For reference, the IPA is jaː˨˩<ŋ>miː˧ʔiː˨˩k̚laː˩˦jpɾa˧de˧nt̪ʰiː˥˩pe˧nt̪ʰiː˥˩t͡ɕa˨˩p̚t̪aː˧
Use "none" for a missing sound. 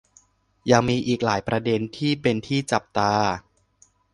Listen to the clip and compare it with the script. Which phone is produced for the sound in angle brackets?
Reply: ŋ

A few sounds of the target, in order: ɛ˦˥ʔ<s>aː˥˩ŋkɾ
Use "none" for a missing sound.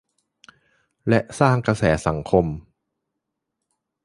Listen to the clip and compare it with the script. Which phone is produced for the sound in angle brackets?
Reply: s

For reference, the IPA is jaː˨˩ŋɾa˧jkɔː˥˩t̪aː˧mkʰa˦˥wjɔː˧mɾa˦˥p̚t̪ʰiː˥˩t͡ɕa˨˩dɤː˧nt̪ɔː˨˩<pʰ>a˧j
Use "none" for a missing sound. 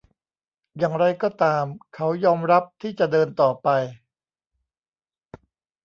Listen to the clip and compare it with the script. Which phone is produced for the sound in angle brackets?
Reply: p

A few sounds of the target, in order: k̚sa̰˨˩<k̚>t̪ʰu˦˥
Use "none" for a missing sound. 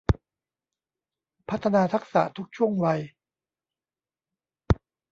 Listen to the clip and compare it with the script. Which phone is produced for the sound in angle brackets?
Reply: none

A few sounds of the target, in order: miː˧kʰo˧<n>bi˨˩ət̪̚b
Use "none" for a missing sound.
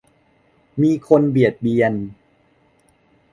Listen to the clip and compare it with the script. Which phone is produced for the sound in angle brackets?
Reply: n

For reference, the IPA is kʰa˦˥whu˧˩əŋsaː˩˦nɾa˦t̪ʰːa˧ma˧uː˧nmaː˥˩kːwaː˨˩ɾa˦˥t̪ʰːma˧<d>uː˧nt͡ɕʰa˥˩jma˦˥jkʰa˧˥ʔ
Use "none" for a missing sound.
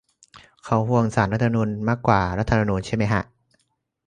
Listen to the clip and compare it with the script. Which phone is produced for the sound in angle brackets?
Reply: n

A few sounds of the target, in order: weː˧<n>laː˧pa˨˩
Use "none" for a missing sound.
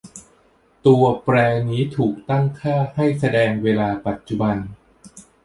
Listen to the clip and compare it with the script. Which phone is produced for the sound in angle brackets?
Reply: none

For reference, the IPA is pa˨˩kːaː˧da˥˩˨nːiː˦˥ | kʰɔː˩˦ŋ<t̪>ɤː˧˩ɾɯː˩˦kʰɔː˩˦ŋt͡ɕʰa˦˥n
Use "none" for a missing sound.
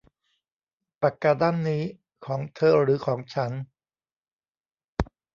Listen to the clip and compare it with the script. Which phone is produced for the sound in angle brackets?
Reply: t̪ʰ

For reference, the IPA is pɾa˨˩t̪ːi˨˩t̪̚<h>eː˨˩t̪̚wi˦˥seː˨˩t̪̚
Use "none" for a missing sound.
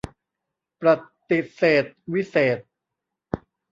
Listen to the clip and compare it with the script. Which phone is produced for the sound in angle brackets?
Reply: s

